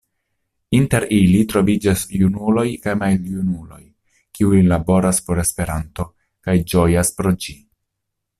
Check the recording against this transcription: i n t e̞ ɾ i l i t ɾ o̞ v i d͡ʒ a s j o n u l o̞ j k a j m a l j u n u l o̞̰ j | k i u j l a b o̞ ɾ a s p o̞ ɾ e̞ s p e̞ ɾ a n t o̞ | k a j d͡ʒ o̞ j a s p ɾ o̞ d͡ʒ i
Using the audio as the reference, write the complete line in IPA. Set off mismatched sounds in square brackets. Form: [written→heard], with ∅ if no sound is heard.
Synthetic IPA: i n t e̞ ɾ i l i t ɾ o̞ v i d͡ʒ a s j [o→u] n u l o̞ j k a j m a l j u n u l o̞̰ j | k i u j l a b o̞ ɾ a s p o̞ ɾ e̞ s p e̞ ɾ a n t o̞ | k a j d͡ʒ o̞ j a s p ɾ o̞ d͡ʒ i